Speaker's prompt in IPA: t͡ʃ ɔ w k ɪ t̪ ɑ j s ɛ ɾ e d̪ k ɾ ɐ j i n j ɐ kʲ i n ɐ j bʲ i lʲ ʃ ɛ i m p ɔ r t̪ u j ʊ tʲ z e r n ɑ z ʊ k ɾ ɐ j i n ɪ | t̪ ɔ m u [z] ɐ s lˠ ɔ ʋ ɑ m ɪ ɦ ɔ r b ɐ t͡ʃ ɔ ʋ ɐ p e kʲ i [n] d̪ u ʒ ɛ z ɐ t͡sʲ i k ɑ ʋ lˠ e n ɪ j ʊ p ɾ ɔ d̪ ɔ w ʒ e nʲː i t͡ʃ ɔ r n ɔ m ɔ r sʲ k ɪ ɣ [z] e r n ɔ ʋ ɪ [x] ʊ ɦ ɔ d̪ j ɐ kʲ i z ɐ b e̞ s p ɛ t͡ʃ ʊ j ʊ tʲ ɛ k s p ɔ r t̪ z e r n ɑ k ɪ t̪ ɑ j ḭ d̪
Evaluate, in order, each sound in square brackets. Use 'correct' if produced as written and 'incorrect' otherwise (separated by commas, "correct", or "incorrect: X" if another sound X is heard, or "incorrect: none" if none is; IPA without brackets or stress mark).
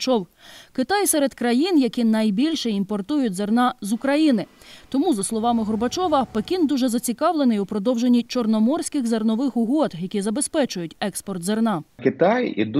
correct, correct, correct, correct